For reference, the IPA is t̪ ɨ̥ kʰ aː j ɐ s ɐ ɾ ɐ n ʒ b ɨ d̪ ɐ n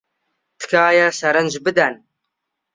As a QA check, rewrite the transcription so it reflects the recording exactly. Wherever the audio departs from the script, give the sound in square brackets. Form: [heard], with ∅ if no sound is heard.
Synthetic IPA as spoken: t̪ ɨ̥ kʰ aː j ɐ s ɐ ɾ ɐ n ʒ b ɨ d̪ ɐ n